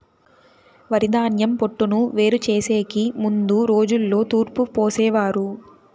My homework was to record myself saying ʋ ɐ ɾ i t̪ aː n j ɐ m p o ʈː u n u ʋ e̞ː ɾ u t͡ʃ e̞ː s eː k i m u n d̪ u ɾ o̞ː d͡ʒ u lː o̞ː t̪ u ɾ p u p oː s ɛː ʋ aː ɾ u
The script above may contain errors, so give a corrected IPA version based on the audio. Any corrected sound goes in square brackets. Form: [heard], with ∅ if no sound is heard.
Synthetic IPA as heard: ʋ ɐ ɾ i [d̪] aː n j ɐ m p o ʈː u n u ʋ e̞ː ɾ u t͡ʃ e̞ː s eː k i m u n d̪ u ɾ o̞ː d͡ʒ u lː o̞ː t̪ [uː] ɾ p u p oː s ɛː ʋ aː ɾ u